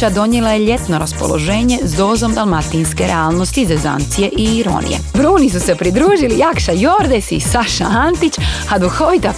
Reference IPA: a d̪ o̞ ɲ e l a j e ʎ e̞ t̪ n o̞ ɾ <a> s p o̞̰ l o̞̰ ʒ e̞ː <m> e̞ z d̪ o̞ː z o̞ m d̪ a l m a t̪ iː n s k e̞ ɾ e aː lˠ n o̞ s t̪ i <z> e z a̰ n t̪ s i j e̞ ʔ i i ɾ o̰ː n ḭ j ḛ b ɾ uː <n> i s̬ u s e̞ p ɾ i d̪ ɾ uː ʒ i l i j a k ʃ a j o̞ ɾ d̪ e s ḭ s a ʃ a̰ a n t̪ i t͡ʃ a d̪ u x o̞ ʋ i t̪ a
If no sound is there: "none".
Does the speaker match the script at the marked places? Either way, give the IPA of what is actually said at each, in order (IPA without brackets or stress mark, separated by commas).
a, ɲ, z, n